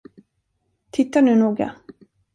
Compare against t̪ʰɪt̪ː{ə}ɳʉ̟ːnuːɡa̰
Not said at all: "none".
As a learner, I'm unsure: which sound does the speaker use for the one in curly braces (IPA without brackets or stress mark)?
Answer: a